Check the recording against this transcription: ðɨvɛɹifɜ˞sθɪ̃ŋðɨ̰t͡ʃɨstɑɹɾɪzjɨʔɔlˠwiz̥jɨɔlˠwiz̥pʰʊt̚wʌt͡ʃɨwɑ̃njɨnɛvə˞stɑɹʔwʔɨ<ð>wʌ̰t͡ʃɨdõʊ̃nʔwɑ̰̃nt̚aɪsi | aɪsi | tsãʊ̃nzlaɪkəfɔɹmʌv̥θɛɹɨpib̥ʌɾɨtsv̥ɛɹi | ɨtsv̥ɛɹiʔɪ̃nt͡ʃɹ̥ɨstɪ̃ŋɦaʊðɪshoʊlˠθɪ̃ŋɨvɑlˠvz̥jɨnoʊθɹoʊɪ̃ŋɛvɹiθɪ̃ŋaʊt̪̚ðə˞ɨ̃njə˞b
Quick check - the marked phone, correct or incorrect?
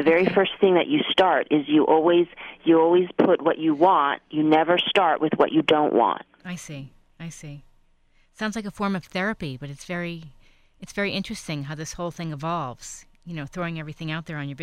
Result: correct